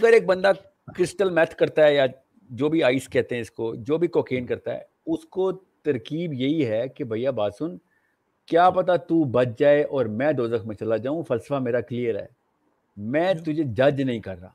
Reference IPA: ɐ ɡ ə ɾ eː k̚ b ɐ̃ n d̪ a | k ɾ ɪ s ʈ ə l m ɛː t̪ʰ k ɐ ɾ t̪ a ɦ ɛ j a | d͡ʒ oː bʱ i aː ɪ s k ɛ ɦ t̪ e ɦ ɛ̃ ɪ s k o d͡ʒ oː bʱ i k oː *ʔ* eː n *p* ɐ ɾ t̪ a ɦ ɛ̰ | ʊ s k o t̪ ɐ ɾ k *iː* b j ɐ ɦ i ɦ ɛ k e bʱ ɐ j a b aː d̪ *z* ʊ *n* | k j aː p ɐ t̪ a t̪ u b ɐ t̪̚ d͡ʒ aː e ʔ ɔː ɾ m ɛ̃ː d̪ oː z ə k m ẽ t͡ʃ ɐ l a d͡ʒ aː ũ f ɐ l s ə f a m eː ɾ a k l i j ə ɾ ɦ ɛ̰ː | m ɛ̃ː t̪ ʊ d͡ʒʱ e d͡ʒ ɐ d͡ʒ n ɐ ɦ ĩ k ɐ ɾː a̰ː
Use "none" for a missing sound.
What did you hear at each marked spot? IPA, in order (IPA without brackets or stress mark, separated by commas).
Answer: k, k, iː, s, n